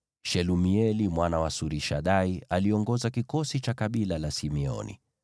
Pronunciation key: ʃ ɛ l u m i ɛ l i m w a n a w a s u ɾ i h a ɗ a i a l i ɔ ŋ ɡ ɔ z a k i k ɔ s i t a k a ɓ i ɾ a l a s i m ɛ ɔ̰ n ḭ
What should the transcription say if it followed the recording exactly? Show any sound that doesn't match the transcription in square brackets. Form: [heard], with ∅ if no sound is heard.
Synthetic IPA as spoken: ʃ ɛ l u m i ɛ l i m w a n a w a s u ɾ i [ʃ] a ɗ a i a l i ɔ ŋ ɡ ɔ z a k i k ɔ s i [t͡ʃ] a k a ɓ i [l] a l a s i m ɛ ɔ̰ n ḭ